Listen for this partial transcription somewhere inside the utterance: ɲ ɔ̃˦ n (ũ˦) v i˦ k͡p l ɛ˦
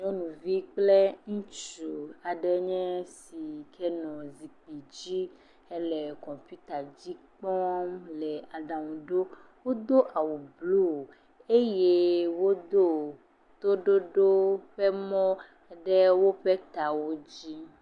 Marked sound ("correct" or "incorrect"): incorrect